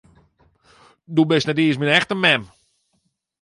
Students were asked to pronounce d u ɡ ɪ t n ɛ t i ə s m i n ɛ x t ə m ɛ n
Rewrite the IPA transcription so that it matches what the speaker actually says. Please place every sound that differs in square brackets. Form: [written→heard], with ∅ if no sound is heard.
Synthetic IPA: d u [ɡ→b] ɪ [t→s] n ɛ t i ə s m i n ɛ x t ə m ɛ [n→m]